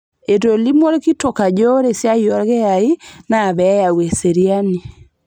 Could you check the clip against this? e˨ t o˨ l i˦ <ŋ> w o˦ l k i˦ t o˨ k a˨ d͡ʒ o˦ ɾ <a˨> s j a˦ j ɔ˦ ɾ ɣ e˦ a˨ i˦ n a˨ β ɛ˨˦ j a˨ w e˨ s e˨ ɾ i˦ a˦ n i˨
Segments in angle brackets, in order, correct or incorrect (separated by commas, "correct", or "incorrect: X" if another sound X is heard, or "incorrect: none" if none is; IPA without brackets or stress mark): incorrect: m, incorrect: e˨